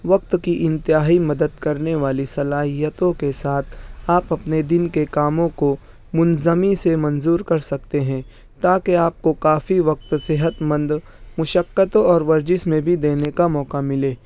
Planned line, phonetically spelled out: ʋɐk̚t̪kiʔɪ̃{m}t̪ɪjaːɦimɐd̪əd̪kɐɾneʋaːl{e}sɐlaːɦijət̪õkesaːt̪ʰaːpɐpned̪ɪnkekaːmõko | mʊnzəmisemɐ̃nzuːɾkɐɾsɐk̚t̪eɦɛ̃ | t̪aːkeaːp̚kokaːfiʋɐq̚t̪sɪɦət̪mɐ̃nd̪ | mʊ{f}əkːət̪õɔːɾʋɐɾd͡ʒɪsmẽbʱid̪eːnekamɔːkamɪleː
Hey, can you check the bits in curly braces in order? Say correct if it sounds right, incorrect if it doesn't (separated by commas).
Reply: incorrect, incorrect, incorrect